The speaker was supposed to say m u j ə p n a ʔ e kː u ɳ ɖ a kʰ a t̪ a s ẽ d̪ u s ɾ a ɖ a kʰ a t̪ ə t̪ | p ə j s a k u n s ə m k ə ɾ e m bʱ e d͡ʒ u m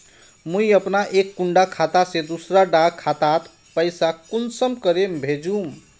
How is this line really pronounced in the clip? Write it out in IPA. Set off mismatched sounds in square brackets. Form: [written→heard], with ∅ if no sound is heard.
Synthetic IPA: m u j ə p n a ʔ e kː u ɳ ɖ a kʰ a t̪ a s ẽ d̪ u s ɾ a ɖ a kʰ a t̪ [ə→a] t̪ | p ə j s a k u n s ə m k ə ɾ e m bʱ e d͡ʒ u m